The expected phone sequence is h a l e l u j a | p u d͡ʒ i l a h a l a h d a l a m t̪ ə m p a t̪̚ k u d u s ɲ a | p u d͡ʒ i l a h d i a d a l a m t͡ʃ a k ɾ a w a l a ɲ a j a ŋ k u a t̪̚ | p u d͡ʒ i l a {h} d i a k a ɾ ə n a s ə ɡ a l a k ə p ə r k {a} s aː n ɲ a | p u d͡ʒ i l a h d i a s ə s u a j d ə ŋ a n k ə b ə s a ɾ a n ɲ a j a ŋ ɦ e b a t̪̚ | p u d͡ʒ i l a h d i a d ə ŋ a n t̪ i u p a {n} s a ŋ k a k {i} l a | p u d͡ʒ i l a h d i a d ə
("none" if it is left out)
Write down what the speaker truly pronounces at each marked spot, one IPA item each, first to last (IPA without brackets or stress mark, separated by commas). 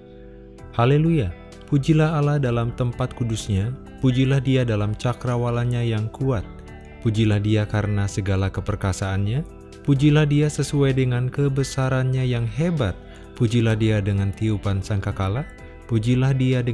h, a, n, a